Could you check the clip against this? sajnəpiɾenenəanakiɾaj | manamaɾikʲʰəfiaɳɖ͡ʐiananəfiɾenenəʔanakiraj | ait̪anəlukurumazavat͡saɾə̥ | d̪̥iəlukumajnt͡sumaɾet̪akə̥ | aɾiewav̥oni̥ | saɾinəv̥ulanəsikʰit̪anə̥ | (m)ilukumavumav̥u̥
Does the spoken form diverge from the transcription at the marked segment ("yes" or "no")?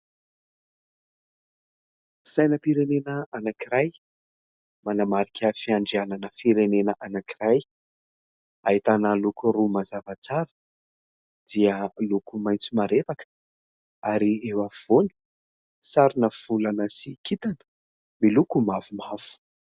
no